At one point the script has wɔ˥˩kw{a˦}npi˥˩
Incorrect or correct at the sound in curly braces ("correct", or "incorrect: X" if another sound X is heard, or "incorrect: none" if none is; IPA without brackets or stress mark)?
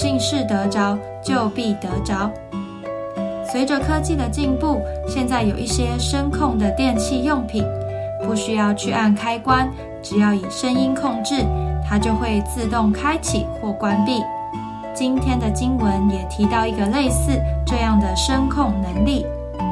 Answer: correct